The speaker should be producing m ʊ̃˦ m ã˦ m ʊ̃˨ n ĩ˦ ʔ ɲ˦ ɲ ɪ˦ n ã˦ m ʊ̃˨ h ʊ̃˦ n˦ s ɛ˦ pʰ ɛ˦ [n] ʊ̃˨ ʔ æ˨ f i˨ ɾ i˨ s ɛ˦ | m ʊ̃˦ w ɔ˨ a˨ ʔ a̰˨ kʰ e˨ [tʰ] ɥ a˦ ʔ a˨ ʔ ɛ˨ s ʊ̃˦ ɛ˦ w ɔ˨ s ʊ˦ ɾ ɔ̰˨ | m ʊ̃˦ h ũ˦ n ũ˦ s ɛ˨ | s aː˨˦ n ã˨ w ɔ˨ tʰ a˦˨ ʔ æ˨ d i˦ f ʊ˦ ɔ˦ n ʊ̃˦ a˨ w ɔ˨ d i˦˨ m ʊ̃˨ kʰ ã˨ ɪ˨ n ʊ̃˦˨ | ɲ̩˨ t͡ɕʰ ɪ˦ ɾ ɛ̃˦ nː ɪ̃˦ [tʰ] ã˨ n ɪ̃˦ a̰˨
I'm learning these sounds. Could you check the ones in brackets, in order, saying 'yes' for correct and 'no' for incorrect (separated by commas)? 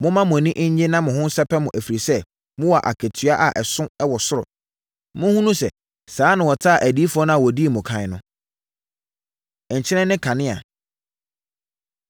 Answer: no, yes, no